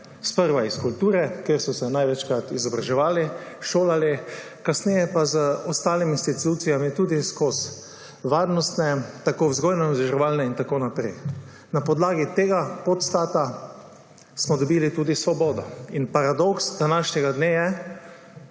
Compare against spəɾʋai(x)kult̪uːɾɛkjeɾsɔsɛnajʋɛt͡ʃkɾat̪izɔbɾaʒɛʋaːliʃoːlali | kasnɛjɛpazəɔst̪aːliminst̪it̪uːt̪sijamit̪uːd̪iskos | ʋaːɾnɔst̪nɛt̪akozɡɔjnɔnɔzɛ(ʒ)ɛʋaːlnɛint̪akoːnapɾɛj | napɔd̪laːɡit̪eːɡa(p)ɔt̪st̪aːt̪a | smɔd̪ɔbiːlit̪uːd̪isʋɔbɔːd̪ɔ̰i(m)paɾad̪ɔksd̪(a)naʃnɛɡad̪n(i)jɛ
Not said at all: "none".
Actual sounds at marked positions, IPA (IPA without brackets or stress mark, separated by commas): s, ʒ, p, n, a, e